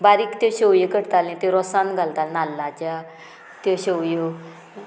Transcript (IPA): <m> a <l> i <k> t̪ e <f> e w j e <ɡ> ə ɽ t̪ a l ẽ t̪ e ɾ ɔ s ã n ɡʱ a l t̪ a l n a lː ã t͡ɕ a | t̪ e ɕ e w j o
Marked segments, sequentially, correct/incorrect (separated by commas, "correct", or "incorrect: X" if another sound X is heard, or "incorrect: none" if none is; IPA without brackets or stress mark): incorrect: b, incorrect: ɾ, correct, incorrect: ɕ, incorrect: k